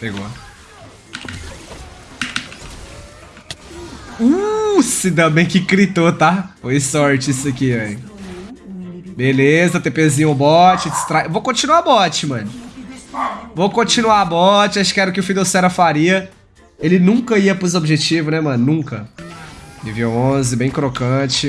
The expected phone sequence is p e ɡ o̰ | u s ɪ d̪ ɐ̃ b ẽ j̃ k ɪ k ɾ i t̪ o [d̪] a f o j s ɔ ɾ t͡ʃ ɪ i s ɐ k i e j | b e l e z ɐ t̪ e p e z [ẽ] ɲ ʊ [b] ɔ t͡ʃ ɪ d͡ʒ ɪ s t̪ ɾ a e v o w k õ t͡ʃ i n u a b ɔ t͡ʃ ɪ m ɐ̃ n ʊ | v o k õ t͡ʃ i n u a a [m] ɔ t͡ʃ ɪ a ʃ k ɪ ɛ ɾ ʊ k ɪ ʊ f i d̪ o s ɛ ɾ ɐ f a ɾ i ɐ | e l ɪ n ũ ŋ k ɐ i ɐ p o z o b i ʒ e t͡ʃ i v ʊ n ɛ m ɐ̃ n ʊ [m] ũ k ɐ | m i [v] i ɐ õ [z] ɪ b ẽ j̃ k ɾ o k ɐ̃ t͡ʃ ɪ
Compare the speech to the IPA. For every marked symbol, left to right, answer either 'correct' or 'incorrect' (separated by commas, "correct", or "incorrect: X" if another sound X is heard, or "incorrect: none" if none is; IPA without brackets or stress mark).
incorrect: t̪, incorrect: ĩ, correct, incorrect: b, incorrect: n, correct, correct